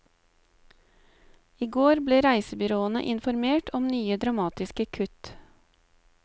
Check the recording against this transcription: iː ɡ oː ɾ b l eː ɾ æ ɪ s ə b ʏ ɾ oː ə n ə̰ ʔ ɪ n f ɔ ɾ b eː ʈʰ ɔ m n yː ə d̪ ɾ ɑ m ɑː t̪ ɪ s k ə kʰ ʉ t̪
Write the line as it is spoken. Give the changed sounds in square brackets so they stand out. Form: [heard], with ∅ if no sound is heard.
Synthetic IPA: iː ɡ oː ɾ b l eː ɾ æ ɪ s ə b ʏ ɾ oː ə n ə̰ ʔ ɪ n f ɔ ɾ [m] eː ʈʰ ɔ m n yː ə d̪ ɾ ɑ m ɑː t̪ ɪ s k ə kʰ ʉ t̪